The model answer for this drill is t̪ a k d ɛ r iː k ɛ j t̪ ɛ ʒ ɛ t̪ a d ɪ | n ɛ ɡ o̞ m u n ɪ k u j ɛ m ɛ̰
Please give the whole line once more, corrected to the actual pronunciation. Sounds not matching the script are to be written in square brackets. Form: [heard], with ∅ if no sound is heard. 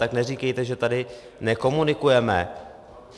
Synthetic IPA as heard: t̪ a k [n] ɛ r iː k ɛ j t̪ ɛ ʒ ɛ t̪ a d ɪ | n ɛ [k] o̞ m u n ɪ k u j ɛ m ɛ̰